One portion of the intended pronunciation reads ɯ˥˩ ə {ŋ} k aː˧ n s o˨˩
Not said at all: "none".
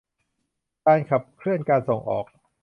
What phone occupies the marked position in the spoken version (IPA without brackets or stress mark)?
n